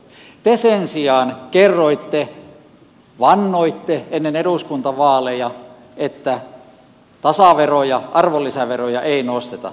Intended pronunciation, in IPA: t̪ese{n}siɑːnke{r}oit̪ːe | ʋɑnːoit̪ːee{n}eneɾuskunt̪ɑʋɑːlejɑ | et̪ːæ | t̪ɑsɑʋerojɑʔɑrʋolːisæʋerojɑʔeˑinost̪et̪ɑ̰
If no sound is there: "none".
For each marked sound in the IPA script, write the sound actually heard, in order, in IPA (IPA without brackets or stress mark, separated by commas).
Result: n, rː, nː